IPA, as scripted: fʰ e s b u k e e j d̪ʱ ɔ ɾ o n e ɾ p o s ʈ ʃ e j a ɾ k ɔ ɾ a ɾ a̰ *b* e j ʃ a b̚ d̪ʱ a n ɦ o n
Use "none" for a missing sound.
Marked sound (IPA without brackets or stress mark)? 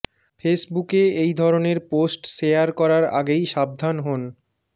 ɡ